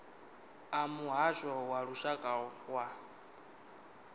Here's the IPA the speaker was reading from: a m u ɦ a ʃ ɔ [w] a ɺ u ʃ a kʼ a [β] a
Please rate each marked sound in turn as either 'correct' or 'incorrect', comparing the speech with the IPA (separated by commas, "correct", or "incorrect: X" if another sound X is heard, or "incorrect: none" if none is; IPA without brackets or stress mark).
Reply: correct, incorrect: w